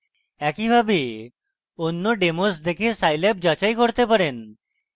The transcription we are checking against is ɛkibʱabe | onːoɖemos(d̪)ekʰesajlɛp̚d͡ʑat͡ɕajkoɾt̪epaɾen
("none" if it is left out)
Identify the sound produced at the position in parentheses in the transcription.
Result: d̪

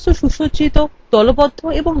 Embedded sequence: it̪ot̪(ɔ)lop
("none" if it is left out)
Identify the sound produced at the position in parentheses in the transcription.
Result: ɔ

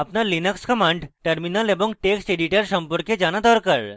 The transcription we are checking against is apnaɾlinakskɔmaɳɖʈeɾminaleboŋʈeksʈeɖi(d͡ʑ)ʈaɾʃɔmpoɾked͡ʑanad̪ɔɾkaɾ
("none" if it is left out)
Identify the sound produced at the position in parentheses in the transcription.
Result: none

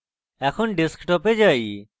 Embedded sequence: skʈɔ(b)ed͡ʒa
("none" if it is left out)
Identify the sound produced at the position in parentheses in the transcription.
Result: p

